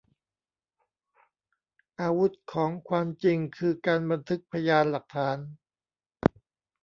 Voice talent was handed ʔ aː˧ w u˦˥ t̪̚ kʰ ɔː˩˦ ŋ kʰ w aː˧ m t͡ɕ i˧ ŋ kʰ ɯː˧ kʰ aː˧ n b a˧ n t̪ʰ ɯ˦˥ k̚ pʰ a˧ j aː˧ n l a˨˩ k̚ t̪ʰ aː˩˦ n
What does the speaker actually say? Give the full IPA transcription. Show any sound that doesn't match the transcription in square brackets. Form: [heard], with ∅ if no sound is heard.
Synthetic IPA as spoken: ʔ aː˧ w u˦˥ t̪̚ kʰ ɔː˩˦ ŋ kʰ w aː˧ m t͡ɕ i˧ ŋ kʰ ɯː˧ [k] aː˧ n b a˧ n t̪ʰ ɯ˦˥ k̚ pʰ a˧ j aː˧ n l a˨˩ k̚ t̪ʰ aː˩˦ n